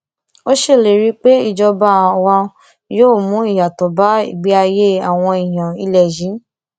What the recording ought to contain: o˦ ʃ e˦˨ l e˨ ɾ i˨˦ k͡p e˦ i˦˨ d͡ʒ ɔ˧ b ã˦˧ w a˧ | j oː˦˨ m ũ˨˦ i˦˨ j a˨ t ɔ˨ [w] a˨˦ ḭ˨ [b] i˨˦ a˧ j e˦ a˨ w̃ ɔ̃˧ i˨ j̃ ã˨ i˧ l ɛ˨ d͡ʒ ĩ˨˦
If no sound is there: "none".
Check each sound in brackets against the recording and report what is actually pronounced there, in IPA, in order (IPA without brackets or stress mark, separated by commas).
b, ɡ͡b